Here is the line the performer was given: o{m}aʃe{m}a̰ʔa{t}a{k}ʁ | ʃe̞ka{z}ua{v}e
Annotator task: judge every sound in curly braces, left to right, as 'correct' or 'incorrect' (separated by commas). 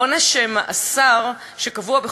incorrect, correct, incorrect, incorrect, incorrect, incorrect